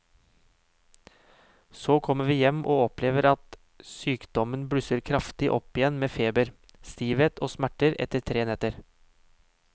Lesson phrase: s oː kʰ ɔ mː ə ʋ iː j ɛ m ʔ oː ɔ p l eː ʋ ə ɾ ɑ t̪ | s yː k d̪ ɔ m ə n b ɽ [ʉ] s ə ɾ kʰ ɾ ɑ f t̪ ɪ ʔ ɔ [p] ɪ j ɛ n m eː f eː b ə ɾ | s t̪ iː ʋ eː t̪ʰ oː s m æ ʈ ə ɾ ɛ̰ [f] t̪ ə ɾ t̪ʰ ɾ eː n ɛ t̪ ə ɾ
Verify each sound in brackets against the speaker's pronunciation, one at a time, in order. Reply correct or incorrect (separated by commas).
correct, correct, incorrect